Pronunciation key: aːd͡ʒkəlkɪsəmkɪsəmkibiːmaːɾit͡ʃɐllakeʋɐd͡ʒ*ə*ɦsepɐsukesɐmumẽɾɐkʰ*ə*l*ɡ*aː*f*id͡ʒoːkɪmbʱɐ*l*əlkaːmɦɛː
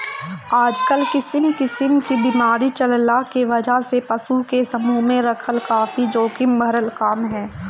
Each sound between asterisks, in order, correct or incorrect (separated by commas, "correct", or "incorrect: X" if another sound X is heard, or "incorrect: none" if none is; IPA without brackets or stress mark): incorrect: a, correct, incorrect: k, correct, incorrect: ɾ